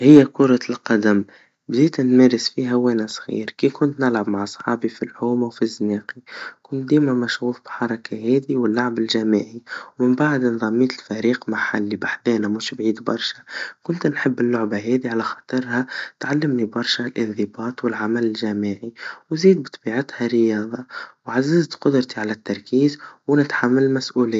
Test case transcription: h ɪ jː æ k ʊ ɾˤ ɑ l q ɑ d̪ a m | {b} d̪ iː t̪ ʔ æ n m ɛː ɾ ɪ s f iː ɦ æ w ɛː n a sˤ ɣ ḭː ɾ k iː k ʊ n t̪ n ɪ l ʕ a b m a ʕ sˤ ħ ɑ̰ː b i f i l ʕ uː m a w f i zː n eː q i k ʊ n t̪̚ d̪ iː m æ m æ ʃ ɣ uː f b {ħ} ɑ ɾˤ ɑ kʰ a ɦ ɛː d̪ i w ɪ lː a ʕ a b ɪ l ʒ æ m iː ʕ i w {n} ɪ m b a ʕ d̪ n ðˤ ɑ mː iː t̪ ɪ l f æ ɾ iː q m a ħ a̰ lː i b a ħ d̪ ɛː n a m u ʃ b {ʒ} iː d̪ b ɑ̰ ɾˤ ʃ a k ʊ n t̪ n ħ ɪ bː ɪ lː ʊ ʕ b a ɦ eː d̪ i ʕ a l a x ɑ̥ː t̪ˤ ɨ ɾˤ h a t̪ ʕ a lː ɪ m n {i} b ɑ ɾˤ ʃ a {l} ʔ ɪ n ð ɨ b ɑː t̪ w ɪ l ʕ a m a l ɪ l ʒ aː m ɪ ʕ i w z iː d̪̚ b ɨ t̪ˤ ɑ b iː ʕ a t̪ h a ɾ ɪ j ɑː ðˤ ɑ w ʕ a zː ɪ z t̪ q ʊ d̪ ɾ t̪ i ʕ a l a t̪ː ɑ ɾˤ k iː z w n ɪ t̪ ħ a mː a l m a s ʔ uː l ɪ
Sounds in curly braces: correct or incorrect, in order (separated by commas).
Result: correct, correct, incorrect, incorrect, correct, correct